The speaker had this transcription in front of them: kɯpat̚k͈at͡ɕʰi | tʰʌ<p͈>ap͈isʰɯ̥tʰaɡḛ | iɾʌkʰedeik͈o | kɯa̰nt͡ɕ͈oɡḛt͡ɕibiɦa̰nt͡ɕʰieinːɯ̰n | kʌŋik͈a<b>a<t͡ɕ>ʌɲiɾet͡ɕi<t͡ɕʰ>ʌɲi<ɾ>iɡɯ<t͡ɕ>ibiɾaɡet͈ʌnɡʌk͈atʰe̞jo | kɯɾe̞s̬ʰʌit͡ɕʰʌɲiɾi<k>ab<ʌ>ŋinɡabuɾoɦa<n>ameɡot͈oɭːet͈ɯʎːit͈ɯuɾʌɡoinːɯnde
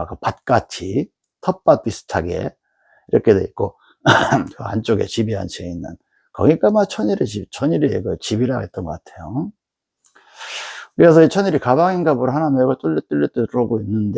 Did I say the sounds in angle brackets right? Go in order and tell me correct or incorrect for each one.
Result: correct, incorrect, incorrect, correct, correct, correct, correct, incorrect, correct

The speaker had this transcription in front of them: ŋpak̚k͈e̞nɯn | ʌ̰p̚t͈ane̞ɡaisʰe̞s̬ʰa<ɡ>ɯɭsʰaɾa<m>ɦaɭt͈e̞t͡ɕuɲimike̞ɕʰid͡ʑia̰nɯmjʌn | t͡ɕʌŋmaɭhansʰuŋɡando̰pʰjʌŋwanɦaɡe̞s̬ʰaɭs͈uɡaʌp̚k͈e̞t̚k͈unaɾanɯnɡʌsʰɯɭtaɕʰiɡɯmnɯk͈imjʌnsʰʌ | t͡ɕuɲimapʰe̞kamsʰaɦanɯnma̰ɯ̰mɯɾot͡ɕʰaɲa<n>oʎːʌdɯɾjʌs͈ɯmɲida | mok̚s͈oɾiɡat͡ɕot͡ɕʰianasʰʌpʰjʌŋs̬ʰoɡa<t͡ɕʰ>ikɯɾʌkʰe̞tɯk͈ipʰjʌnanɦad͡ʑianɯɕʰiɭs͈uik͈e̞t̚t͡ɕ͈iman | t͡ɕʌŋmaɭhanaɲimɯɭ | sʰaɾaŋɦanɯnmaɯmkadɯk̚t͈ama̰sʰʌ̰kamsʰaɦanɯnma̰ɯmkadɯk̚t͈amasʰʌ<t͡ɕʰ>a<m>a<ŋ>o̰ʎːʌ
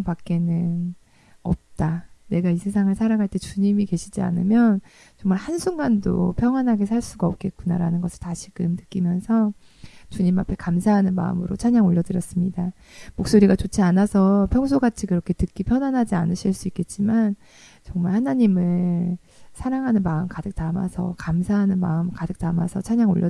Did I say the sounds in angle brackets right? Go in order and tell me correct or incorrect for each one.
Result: incorrect, incorrect, incorrect, correct, correct, incorrect, correct

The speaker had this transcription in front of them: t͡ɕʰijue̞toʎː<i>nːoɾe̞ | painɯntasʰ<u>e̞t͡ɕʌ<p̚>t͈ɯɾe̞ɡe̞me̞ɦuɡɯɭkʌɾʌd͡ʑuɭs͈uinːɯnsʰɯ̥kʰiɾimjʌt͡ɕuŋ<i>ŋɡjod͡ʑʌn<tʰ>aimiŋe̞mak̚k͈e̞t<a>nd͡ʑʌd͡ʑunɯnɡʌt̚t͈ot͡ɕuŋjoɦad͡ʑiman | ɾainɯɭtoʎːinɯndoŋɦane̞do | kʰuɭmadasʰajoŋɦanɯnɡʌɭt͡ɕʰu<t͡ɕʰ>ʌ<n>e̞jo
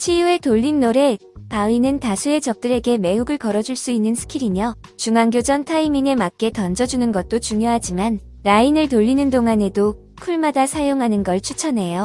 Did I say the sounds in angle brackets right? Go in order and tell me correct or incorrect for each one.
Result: correct, correct, correct, incorrect, correct, incorrect, correct, correct

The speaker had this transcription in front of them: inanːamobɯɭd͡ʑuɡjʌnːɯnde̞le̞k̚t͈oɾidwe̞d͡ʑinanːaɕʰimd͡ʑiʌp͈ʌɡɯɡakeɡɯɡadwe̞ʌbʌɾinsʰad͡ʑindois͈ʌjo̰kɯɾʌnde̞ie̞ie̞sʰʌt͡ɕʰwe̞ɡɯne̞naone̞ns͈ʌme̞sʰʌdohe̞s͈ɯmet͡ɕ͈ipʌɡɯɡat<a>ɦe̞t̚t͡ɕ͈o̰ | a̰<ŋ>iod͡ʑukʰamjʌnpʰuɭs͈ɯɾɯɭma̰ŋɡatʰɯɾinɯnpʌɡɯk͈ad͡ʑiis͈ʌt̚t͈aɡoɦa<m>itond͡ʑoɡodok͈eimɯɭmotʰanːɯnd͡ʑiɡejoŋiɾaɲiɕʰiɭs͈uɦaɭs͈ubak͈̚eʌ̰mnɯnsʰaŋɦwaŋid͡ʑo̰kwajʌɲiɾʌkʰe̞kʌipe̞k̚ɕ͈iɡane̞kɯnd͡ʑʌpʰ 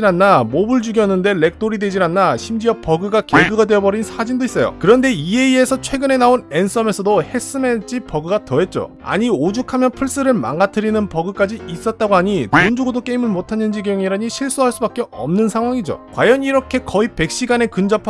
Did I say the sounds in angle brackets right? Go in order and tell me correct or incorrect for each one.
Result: incorrect, incorrect, incorrect

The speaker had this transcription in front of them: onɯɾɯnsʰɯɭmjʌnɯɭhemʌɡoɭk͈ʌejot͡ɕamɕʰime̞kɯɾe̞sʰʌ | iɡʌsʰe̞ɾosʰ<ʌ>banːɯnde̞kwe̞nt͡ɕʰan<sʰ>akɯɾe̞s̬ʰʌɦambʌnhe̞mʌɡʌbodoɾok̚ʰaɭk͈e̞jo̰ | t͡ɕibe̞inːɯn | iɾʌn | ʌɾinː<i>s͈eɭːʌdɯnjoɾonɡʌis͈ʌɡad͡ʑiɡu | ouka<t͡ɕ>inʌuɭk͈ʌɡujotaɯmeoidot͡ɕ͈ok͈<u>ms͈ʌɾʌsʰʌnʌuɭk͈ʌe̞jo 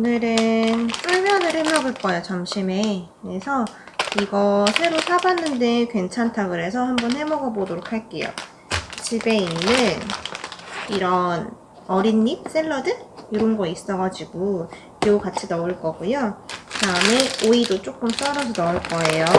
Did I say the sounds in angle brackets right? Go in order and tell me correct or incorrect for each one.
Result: incorrect, incorrect, correct, incorrect, incorrect

